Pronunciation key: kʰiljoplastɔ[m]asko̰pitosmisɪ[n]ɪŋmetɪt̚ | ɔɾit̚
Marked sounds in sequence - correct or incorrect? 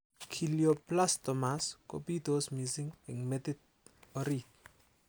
correct, incorrect: ŋ

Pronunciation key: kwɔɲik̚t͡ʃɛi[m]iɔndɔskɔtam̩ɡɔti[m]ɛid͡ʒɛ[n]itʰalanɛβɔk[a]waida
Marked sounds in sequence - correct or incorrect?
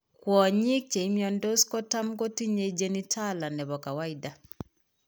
correct, incorrect: ɲ, correct, correct

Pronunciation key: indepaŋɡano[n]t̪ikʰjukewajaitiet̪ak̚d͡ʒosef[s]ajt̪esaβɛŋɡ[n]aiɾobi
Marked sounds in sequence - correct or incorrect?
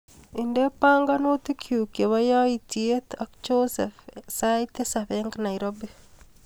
incorrect: none, correct, correct

